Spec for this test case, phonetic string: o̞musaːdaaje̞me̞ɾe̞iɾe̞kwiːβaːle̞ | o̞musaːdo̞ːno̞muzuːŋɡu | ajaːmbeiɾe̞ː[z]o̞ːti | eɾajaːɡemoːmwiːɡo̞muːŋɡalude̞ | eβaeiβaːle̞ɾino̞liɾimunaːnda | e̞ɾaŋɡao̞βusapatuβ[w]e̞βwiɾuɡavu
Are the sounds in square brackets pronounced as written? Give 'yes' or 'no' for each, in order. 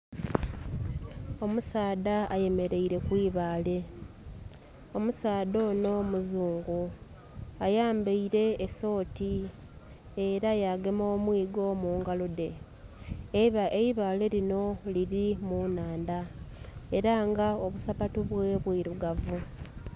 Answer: no, yes

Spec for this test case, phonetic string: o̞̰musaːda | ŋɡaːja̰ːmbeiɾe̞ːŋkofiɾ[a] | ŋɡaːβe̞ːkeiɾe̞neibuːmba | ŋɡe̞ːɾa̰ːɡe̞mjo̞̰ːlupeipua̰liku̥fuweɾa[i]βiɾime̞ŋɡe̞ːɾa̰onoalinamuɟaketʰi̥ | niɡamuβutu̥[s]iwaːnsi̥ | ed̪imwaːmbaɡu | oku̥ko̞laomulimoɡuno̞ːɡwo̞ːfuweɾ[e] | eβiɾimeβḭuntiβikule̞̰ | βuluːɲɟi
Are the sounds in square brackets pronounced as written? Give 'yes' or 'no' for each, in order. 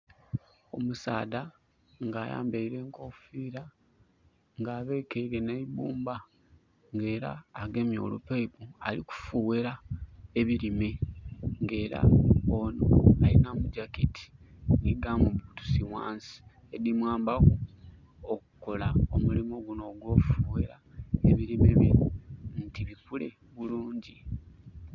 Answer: yes, no, yes, no

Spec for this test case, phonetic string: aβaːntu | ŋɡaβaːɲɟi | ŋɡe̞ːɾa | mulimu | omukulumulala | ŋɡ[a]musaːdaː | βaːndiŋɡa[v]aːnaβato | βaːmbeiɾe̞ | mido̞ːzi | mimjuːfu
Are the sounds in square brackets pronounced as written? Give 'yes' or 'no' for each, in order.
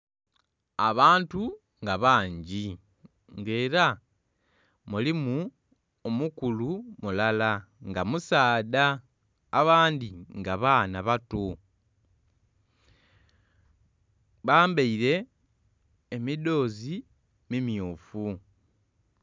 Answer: yes, no

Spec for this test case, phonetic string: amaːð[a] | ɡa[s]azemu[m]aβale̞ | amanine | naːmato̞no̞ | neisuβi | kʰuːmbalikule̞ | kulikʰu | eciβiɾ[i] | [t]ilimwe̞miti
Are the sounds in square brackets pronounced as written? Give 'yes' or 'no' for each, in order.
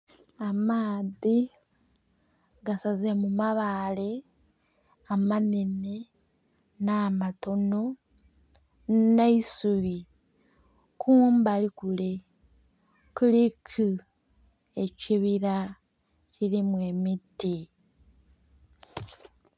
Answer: no, yes, yes, no, no

